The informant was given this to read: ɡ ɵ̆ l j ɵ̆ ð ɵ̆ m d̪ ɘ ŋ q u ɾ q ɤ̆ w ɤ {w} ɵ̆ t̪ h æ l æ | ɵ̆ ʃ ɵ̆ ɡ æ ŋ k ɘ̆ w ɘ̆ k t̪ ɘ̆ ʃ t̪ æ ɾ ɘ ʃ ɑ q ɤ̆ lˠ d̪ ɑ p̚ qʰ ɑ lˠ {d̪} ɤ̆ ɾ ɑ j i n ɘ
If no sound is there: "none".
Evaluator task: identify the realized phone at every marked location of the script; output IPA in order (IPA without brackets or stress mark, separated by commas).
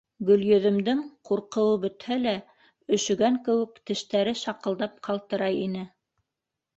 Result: b, t̪